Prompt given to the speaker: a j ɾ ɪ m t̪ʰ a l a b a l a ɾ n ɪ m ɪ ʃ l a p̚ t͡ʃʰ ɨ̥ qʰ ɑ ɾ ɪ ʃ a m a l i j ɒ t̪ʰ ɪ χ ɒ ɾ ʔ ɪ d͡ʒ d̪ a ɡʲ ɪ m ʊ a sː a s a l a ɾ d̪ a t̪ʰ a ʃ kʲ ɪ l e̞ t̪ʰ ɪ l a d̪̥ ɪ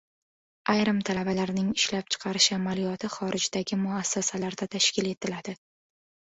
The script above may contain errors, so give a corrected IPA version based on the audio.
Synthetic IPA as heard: a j ɾ ɪ m t̪ʰ a l a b a l a ɾ n ɪ ŋ ɪ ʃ l a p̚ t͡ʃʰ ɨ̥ qʰ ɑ ɾ ɪ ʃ a m a l i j ɒ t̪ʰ ɪ χ ɒ ɾ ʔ ɪ d͡ʒ d̪ a ɡʲ ɪ m ʊ a sː a s a l a ɾ d̪ a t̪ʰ a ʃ kʲ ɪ l e̞ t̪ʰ ɪ l a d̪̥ ɪ